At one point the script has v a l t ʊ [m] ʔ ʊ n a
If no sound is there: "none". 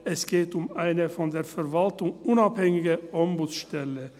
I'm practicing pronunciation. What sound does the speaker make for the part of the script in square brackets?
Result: ŋ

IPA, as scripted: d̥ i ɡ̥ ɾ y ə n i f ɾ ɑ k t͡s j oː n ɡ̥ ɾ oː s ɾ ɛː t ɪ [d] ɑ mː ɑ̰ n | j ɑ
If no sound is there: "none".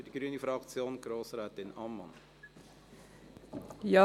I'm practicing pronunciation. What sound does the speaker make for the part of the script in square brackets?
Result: n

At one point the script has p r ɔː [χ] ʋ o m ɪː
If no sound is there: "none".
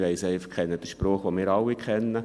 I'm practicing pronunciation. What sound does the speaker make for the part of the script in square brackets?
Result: χ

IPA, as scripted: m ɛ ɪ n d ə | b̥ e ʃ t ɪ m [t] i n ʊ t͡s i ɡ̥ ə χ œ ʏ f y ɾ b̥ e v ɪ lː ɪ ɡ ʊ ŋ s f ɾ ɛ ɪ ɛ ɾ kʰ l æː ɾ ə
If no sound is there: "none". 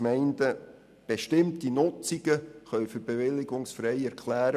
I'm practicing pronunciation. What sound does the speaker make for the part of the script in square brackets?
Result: t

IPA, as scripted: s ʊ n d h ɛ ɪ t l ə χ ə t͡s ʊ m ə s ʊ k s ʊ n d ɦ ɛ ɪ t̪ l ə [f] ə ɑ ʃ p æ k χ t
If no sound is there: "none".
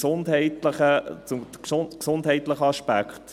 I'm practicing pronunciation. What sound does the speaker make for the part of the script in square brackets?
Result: χ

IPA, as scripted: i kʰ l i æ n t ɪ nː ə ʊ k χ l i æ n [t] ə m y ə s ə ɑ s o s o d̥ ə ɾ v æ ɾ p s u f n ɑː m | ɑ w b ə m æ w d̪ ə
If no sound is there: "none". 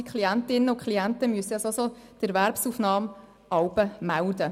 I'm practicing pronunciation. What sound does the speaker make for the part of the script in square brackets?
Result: t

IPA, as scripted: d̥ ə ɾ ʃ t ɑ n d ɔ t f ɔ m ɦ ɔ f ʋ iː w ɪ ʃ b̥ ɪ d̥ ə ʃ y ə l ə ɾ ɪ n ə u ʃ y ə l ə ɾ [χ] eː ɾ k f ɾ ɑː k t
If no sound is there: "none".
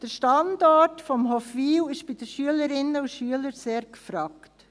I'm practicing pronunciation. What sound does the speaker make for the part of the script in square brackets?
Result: s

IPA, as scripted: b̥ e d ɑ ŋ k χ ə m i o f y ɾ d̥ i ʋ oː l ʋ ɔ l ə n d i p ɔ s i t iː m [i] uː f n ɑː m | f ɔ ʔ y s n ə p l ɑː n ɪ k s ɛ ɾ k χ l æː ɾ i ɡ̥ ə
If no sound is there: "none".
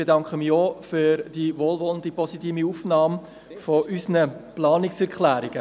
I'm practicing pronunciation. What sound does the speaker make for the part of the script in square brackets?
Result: i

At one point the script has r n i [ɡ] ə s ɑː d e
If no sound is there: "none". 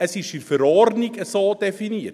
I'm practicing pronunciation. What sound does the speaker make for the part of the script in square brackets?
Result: k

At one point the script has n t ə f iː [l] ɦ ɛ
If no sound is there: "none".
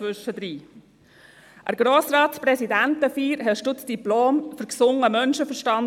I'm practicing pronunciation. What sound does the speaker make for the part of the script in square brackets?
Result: ɾ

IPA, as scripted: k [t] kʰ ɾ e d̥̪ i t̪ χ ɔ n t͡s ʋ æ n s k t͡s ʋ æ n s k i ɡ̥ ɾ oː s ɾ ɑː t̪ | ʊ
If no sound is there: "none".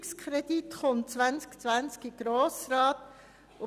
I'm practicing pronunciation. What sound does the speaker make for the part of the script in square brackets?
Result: s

